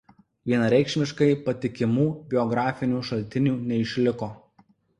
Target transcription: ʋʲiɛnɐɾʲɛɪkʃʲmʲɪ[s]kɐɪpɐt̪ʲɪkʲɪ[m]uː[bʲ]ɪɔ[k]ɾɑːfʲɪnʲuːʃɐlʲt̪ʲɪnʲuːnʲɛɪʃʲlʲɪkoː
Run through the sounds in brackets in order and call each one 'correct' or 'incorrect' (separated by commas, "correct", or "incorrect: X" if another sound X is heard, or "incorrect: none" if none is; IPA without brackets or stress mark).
incorrect: ʃ, correct, correct, incorrect: ɡ